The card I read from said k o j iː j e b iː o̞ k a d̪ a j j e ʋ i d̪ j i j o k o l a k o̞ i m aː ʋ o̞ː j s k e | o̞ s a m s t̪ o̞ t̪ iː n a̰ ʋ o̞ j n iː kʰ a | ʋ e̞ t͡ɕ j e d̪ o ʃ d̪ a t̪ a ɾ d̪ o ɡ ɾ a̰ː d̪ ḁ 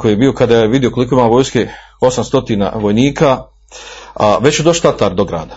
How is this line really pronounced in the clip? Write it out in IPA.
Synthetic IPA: k o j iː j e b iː o̞ k a d̪ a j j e ʋ i d̪ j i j o k o l i k o̞ i m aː ʋ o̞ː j s k e | o̞ s a m s t̪ o̞ t̪ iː n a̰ ʋ o̞ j n iː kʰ a | ʋ e̞ t͡ɕ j e d̪ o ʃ t̪ a t̪ a ɾ d̪ o ɡ ɾ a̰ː d̪ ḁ